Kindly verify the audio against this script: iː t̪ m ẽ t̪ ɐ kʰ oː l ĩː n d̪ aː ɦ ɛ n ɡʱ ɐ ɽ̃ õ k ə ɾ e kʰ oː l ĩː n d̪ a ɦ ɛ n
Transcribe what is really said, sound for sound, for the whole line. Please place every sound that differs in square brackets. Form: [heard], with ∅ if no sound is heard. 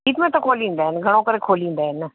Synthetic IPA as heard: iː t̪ m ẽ t̪ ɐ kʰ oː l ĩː n d̪ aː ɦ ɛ n ɡʱ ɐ ɽ̃ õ k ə ɾ e kʰ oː l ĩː n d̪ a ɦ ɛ n